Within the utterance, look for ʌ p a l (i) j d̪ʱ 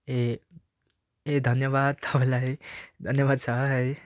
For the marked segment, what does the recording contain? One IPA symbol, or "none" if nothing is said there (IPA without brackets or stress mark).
a